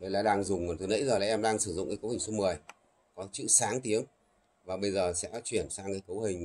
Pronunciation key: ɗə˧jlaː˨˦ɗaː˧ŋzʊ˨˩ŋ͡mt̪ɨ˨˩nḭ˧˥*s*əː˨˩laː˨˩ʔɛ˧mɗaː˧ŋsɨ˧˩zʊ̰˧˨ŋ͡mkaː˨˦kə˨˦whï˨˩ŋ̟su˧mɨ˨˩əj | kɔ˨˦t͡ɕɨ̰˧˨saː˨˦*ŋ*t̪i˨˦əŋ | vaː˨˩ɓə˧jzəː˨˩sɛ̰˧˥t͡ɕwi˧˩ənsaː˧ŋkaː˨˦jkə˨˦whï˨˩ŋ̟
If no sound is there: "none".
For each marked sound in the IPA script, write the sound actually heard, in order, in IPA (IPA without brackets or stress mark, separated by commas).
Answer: z, ŋ